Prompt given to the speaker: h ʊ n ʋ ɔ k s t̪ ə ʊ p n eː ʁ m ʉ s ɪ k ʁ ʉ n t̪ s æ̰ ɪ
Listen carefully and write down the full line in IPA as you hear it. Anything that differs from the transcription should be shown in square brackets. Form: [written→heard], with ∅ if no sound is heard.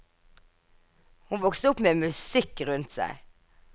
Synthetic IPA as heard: h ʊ n ʋ ɔ k s t̪ ə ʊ p [n→m] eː [ʁ→∅] m ʉ s ɪ k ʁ ʉ n t̪ s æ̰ ɪ